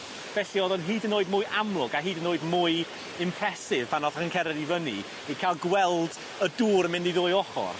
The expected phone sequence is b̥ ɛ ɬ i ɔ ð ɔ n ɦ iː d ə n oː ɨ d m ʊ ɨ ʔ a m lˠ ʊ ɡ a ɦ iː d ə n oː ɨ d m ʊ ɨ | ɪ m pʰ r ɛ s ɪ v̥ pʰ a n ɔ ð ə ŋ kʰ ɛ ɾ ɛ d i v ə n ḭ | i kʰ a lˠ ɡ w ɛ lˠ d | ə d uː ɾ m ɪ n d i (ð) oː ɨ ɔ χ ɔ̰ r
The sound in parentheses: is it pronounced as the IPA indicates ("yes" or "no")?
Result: yes